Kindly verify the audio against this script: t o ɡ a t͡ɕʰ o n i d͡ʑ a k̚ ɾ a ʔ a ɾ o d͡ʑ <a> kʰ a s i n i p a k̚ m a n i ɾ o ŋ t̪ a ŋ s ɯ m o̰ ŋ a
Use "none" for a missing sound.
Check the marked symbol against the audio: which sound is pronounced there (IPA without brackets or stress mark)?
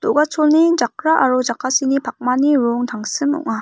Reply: a